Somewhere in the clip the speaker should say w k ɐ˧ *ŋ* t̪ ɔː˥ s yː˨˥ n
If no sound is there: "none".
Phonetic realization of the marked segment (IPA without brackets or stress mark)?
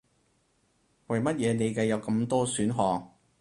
m